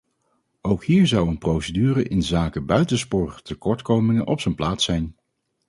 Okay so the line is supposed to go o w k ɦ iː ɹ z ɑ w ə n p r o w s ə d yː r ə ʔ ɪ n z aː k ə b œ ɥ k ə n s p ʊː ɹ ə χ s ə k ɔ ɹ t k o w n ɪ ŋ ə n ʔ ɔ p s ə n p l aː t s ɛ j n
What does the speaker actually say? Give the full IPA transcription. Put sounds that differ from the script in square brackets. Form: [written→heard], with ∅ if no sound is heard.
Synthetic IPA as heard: o w k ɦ iː ɹ z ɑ w ə n p r o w s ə d yː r ə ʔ ɪ n z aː k ə b œ ɥ [k→t] ə n s p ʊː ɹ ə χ [s→t] ə k ɔ ɹ t k o w [n→m] ɪ ŋ ə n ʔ ɔ p s ə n p l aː t s ɛ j n